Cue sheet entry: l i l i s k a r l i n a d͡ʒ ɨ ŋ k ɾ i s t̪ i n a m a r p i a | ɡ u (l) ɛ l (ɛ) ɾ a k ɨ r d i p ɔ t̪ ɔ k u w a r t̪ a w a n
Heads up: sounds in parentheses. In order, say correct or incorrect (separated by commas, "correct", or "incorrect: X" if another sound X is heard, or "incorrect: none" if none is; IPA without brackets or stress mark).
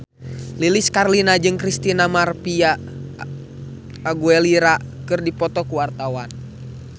incorrect: none, incorrect: i